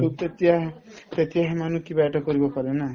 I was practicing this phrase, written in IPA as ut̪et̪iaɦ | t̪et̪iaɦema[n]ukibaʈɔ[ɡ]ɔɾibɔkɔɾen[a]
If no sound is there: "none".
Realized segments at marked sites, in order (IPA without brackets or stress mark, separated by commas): n, k, a